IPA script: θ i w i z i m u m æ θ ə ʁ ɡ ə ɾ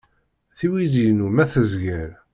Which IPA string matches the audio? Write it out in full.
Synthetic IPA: θ i w i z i n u m æ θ ə z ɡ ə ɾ

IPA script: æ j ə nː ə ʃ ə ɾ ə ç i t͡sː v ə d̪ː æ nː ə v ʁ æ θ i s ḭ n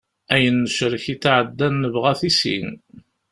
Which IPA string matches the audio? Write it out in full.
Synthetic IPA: æ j ə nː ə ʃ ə ɾ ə ç i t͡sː ʕ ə d̪ː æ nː ə v ʁ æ θ i s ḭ n

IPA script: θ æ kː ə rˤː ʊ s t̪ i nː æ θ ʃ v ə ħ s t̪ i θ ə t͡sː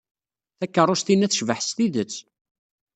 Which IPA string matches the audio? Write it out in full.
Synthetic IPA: θ æ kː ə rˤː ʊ s t̪ i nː æ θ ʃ v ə ħ s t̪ i ð ə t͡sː

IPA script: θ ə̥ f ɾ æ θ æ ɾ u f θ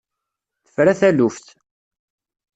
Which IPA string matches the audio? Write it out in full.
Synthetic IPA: θ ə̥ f ɾ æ θ æ l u f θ

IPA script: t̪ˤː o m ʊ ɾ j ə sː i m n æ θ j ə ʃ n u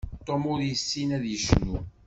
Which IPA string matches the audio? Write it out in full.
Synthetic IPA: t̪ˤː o m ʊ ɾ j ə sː i n æ ð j ə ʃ n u

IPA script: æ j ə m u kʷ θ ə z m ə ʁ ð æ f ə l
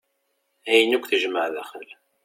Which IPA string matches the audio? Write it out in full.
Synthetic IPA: æ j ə n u kʷ θ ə ʒ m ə ʕ ð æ χ ə l

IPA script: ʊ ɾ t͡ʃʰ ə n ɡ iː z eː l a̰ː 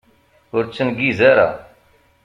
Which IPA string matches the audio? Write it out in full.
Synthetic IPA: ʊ ɾ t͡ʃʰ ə n ɡ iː z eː ɾ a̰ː

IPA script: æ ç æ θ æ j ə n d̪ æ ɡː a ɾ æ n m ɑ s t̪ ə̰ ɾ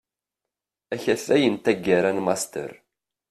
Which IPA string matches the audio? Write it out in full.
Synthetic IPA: æ ç æ θ æ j ə n t̪ æ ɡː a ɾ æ n m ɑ s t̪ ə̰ ɾ

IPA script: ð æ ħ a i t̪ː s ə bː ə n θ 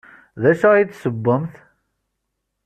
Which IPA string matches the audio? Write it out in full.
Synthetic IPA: ð æ ʃ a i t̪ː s ə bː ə m θ

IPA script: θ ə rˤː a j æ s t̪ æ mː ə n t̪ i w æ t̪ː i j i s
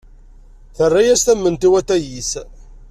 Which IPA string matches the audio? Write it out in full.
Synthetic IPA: θ ə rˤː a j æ s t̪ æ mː ə n t̪ i w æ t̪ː æ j i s

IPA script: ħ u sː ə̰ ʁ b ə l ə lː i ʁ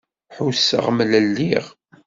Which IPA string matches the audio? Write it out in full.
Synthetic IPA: ħ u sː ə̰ ʁ m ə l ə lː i ʁ

